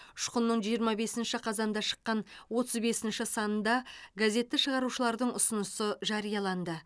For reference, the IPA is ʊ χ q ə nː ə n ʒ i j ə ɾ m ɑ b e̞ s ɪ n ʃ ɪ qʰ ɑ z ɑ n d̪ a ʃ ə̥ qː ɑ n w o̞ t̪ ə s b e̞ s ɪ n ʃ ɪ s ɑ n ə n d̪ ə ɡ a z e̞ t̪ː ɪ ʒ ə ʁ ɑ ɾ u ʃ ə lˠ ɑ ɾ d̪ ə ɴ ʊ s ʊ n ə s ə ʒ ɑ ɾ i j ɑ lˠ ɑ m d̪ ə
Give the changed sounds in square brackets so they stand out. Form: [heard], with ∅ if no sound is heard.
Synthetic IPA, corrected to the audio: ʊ [ʃ] q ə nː ə [ɴ] ʒ i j ə ɾ m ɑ b e̞ s ɪ n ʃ ɪ qʰ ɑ z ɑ n d̪ [ɑ] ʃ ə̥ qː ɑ n w o̞ t̪ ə [z] b e̞ s ɪ n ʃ ɪ s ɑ n ə n d̪ [ɑ] ɡ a z e̞ t̪ː ɪ [ʃ] ə ʁ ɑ ɾ u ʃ ə lˠ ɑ ɾ d̪ ə ɴ ʊ s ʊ n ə s ə ʒ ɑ ɾ i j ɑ lˠ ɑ [n] d̪ ə

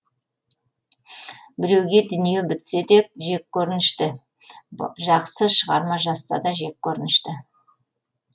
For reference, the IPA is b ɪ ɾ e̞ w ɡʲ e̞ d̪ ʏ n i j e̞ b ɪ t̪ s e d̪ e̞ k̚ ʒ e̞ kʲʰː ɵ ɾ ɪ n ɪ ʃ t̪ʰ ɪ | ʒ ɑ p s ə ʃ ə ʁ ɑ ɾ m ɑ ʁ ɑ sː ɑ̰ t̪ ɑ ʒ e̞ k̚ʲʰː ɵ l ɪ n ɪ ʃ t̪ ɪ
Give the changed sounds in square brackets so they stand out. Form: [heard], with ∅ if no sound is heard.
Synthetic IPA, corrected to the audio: b ɪ ɾ e̞ w ɡʲ e̞ d̪ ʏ n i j e̞ b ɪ t̪ s e d̪ e̞ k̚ ʒ e̞ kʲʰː ɵ ɾ ɪ n ɪ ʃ [t̪] ɪ | ʒ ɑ [q] s ə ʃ ə ʁ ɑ ɾ m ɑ [ʒ] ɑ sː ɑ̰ [d̪] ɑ ʒ e̞ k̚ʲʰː ɵ [ɾ] ɪ n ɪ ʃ t̪ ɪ

